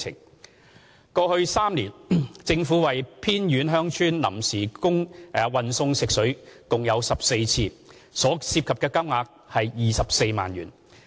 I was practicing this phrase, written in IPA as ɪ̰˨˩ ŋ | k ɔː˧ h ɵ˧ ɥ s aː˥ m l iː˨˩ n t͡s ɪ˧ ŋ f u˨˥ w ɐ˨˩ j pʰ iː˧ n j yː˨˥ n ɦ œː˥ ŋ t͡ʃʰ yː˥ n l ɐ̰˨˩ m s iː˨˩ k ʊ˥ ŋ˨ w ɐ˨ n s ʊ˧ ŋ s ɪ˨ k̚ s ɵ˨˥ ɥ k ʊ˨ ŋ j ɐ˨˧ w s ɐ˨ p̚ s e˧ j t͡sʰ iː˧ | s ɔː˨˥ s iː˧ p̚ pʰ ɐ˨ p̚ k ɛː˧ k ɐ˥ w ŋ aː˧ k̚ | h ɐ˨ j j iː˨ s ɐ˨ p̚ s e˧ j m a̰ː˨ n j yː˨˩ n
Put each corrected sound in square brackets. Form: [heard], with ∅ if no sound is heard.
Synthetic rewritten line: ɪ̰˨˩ ŋ | k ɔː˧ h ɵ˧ ɥ s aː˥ m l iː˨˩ n t͡s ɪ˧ ŋ f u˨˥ w ɐ˨˩ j pʰ [iː˥] n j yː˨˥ n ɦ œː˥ ŋ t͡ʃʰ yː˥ n l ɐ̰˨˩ m s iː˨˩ k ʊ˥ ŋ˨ w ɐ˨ n s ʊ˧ ŋ s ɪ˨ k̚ s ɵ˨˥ ɥ k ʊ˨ ŋ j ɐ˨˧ w s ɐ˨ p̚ s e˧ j t͡sʰ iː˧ | s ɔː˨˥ s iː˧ p̚ [kʰ] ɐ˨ p̚ k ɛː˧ k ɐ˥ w ŋ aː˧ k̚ | h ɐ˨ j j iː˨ s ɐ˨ p̚ s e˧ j m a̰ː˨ n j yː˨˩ n

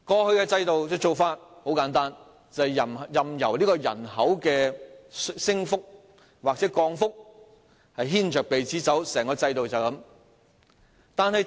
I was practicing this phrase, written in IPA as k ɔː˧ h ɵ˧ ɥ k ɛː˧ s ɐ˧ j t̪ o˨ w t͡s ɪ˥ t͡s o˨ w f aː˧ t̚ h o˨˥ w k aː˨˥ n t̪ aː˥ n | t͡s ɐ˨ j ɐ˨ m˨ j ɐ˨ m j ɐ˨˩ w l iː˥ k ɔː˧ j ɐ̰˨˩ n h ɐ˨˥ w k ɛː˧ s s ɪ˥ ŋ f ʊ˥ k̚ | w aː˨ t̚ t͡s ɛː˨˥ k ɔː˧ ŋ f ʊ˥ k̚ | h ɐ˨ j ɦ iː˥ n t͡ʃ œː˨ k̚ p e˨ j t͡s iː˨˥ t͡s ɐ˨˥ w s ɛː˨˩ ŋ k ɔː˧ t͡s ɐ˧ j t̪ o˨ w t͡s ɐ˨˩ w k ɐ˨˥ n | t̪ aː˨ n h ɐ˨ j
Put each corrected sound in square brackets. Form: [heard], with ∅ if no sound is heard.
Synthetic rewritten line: k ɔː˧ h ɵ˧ ɥ k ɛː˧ [t͡s] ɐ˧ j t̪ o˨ w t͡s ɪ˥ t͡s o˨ w f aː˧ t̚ h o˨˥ w k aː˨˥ n t̪ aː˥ n | t͡s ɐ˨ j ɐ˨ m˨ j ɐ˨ m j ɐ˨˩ w l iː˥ k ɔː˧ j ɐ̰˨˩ n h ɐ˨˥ w k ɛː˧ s s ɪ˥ ŋ f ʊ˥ k̚ | w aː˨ [k̚] t͡s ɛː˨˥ k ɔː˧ ŋ f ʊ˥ k̚ | h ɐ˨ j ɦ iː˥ n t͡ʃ œː˨ k̚ p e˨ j t͡s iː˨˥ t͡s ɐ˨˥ w s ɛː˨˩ ŋ k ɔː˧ t͡s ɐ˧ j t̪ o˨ w t͡s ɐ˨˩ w k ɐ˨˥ [m] | t̪ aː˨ n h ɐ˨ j

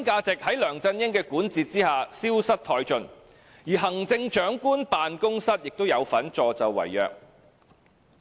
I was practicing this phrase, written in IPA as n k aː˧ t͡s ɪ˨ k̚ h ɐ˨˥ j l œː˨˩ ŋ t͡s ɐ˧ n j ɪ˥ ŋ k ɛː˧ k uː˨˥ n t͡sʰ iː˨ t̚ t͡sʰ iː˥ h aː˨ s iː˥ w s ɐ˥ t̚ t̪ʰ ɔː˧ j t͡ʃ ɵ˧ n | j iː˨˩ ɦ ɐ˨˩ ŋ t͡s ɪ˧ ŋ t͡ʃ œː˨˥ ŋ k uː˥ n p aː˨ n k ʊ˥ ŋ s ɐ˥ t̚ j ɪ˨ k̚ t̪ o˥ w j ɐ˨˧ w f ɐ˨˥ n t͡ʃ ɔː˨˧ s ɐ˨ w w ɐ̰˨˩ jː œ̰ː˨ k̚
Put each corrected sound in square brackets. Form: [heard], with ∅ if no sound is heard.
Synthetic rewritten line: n k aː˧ t͡s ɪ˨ k̚ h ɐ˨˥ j l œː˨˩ ŋ t͡s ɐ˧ n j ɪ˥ ŋ k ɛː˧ k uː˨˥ n [t͡s] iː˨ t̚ [t͡s] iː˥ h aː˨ s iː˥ w s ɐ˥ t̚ t̪ʰ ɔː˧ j t͡ʃ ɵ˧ n | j iː˨˩ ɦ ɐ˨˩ ŋ t͡s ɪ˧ ŋ t͡ʃ œː˨˥ ŋ k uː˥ n p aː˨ n k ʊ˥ ŋ s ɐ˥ t̚ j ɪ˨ k̚ t̪ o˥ w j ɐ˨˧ w f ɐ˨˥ n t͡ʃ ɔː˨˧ [t͡s] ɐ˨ w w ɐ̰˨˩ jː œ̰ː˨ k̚

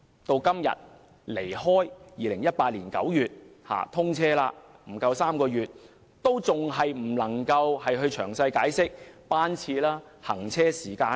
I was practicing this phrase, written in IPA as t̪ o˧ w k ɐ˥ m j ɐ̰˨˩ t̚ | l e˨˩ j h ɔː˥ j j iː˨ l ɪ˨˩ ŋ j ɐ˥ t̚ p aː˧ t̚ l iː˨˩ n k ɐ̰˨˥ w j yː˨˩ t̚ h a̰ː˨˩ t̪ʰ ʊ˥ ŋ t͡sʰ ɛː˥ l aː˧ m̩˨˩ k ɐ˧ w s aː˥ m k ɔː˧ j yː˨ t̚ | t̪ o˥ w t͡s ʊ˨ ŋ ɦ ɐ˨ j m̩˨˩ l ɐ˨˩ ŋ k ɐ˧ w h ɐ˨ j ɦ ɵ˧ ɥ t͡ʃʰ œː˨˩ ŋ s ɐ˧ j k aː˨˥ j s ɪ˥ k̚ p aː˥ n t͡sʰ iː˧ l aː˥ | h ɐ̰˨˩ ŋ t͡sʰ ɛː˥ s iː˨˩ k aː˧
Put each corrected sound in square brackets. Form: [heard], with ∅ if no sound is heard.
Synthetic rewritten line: t̪ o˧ w k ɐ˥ m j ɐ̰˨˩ t̚ | l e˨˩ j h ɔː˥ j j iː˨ l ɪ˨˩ ŋ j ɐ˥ t̚ p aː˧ t̚ l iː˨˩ n k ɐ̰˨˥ w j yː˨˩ t̚ h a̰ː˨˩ t̪ʰ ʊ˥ ŋ t͡sʰ ɛː˥ l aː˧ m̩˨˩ k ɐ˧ w s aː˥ m k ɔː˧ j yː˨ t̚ | t̪ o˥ w t͡s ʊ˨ ŋ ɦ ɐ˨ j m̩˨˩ l ɐ˨˩ ŋ k ɐ˧ w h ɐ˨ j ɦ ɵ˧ ɥ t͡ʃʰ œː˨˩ ŋ s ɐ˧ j k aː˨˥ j s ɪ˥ k̚ p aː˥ n t͡sʰ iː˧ l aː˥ | h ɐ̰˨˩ ŋ t͡sʰ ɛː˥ s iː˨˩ k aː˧

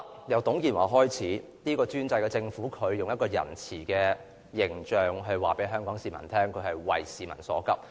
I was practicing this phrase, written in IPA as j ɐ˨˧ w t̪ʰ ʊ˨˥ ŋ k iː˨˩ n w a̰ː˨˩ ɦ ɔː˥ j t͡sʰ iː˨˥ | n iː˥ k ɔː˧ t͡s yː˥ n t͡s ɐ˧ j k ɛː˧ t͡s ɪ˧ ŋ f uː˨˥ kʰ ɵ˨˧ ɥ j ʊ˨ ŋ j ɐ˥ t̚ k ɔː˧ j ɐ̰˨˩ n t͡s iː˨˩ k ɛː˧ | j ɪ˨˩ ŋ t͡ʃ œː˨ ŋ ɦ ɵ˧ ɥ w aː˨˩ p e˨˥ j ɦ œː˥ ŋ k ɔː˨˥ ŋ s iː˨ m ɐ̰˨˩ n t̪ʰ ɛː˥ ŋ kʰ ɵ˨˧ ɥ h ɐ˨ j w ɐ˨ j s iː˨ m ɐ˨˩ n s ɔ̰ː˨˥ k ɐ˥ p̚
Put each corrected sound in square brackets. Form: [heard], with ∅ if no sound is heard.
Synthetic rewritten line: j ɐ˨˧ w [t̪] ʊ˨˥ ŋ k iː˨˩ n w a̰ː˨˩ ɦ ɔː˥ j t͡sʰ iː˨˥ | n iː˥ k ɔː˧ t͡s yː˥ n t͡s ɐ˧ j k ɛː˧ t͡s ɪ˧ ŋ f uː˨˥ kʰ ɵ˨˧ ɥ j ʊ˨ ŋ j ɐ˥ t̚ k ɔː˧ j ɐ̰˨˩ n [t͡sʰ] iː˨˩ k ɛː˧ | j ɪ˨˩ ŋ t͡ʃ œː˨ ŋ ɦ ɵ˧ ɥ w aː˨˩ p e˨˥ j ɦ œː˥ ŋ k ɔː˨˥ ŋ s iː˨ m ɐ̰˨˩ n t̪ʰ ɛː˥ ŋ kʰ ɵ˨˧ ɥ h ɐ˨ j w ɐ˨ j s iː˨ m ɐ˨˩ n s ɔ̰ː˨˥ k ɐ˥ p̚

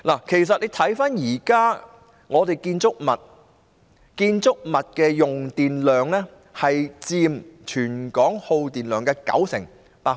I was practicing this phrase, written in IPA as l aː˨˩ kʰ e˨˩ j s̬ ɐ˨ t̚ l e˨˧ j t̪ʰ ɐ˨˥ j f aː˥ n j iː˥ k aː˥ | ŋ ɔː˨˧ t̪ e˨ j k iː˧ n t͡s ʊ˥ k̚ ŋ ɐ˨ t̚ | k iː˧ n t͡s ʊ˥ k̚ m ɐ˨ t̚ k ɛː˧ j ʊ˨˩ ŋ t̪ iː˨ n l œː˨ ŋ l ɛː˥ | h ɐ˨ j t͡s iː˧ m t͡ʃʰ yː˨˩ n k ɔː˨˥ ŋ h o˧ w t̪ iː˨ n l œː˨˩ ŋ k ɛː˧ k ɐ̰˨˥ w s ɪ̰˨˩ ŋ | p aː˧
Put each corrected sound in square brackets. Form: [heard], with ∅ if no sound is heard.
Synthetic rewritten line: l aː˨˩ kʰ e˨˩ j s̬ ɐ˨ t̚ l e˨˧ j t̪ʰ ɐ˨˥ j f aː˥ n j [iː˨˩] k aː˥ | ŋ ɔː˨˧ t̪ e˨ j k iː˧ n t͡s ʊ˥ k̚ [m] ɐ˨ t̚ | k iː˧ n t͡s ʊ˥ k̚ m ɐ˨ t̚ k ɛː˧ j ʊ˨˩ ŋ t̪ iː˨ n l œː˨ ŋ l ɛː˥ | h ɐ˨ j t͡s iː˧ m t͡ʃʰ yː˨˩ n k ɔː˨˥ ŋ h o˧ w t̪ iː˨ n l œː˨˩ ŋ k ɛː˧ k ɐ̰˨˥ w s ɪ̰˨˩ ŋ | p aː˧

